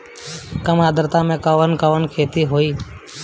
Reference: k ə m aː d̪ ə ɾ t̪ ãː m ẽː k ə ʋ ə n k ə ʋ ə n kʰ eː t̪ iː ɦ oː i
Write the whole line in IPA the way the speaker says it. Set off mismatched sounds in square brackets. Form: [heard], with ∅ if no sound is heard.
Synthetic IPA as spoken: k ə m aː d̪ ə ɾ t̪ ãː m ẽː k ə ʋ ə n k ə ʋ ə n kʰ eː t̪ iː ɦ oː [iː]